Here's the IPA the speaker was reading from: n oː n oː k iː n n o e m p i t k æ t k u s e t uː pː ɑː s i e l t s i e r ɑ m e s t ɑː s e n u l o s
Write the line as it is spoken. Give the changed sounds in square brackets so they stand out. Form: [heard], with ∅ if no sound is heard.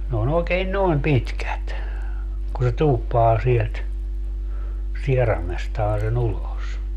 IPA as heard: n oː n oː k [eː] n n o e m p i t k æ t k u s e t uː pː ɑː s i e l t s i e r ɑ m e s t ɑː s e n u l o s